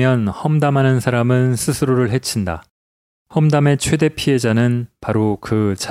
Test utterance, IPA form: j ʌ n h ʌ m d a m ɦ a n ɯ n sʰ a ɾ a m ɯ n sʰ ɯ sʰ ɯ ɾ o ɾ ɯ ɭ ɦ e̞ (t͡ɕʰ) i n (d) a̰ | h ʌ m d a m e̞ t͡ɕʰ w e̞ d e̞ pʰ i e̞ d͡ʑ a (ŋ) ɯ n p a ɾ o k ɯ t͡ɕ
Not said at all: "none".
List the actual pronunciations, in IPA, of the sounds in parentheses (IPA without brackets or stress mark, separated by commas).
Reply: t͡ɕʰ, d, n